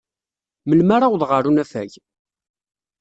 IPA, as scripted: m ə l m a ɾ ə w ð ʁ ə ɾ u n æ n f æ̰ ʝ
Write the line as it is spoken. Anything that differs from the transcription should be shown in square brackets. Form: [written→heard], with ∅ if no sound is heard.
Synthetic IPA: m ə l m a ɾ [ə→a] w ð ʁ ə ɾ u n æ [n→∅] f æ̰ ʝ